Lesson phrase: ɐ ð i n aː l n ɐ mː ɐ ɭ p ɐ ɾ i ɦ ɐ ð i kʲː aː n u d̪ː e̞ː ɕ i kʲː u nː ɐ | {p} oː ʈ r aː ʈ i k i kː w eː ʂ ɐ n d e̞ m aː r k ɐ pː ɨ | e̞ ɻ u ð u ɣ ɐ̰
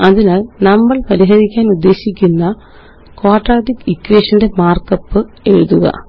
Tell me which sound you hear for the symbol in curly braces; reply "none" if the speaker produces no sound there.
k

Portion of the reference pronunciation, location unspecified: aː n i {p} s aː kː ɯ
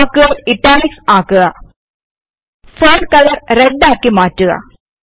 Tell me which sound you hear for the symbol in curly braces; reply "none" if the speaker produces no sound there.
k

